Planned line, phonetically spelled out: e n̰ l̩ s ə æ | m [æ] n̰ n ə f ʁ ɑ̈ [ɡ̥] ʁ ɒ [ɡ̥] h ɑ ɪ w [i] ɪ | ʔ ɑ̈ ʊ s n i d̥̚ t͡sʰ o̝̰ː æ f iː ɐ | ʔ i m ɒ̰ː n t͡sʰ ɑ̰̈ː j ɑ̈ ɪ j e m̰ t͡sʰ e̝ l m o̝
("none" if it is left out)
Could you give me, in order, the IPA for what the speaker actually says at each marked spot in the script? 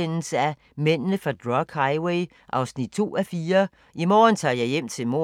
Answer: e, d̥, ɡ̥, e

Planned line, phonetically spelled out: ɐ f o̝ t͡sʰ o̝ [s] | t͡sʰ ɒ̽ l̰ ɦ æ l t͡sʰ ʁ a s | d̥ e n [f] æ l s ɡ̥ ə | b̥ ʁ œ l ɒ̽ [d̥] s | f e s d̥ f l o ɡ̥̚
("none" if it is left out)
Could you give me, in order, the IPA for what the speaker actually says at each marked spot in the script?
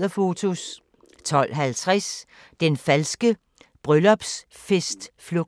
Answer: s, f, b̥

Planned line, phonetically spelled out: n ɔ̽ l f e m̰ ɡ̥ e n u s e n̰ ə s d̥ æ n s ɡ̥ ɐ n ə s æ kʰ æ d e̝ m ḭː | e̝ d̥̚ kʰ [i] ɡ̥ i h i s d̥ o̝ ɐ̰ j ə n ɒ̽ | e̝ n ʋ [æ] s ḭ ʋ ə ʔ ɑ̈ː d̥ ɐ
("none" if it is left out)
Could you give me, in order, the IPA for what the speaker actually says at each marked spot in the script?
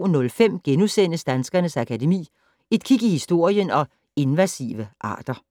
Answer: i, æ

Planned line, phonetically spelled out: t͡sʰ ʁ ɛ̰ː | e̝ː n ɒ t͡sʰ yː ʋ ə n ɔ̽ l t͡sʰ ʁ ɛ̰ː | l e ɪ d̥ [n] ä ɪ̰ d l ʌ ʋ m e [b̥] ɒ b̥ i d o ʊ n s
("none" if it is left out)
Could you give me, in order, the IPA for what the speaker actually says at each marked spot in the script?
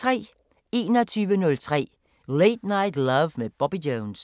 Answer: n, b̥

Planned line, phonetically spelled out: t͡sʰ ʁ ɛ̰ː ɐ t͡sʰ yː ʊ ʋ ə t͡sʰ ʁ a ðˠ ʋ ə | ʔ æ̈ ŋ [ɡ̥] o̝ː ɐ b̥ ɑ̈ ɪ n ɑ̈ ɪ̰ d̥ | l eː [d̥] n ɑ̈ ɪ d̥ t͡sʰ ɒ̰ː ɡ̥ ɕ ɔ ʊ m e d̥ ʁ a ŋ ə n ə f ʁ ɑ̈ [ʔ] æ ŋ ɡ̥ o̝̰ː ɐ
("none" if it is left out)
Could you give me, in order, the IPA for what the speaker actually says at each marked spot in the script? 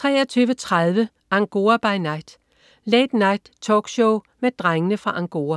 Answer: ɡ̥, d̥, ʔ

